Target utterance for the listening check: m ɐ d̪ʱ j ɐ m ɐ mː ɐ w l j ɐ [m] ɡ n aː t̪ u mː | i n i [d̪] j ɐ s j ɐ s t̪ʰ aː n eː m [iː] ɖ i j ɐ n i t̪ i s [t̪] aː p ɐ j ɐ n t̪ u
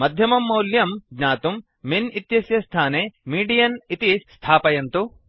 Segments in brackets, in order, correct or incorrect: correct, incorrect: t̪, correct, incorrect: t̪ʰ

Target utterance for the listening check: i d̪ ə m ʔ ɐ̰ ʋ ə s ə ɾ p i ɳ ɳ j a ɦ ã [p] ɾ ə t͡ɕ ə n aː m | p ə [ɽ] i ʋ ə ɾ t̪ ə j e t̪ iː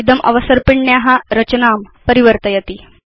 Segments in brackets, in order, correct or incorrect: incorrect: none, incorrect: ɾ

